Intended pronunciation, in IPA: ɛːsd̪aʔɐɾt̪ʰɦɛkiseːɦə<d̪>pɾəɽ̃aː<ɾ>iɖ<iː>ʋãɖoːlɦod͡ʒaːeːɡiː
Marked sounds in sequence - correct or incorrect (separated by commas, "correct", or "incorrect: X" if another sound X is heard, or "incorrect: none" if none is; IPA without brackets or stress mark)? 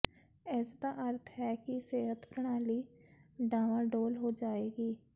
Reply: incorrect: t̪, incorrect: l, incorrect: aː